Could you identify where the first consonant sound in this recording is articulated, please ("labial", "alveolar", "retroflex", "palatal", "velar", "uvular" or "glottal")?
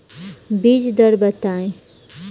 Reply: labial